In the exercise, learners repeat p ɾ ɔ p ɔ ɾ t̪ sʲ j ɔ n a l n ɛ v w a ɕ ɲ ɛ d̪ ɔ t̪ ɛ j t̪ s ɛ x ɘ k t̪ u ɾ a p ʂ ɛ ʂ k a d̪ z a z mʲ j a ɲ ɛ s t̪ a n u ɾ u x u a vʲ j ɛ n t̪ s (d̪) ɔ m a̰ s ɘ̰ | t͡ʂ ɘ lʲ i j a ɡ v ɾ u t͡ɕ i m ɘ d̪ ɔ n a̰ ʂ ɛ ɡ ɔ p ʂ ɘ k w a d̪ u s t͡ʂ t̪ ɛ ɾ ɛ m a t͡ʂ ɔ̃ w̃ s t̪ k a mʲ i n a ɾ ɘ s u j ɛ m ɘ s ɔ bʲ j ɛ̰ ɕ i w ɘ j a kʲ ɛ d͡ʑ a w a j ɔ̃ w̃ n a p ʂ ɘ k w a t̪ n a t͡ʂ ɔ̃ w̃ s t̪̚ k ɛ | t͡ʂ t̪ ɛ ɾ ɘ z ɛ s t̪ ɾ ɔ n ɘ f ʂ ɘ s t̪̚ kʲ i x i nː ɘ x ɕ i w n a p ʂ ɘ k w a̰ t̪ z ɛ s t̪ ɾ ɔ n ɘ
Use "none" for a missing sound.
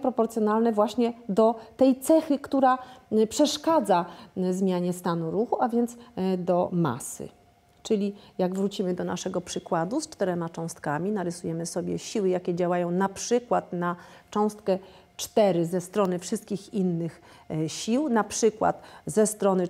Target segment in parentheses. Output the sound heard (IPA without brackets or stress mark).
d̪